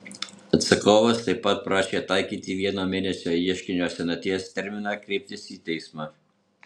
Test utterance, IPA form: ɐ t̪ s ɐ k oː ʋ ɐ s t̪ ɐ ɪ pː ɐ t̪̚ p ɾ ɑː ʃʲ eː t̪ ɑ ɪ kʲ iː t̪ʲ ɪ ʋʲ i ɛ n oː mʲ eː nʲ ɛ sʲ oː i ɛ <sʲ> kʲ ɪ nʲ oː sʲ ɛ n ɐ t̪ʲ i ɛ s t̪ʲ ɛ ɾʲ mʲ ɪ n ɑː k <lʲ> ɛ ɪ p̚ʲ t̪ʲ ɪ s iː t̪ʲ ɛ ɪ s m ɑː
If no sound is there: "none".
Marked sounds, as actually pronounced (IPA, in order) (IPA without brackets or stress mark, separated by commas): ʃʲ, ɾʲ